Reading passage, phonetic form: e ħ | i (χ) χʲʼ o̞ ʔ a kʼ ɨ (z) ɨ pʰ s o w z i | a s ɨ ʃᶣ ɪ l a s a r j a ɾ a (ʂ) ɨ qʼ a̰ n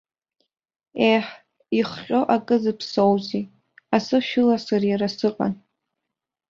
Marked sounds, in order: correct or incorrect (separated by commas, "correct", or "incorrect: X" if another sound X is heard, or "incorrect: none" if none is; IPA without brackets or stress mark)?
correct, correct, incorrect: s